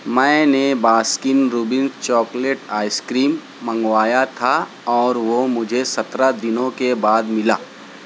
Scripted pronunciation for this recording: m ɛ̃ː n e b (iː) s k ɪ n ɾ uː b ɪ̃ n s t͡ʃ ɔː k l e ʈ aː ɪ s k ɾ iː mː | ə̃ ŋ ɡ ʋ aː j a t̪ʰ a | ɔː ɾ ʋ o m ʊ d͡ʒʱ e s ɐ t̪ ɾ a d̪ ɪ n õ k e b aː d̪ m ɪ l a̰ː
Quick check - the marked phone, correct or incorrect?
incorrect